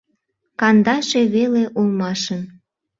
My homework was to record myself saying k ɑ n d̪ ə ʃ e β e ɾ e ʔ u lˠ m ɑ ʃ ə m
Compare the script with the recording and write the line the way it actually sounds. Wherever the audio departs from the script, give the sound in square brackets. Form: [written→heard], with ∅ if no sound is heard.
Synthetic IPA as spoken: k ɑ n d̪ [ə→ɑ] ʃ e β e [ɾ→l] e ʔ u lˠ m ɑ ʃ ə [m→n]